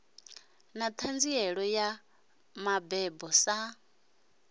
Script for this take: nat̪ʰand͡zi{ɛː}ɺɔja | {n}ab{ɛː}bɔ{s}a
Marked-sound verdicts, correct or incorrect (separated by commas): incorrect, incorrect, incorrect, correct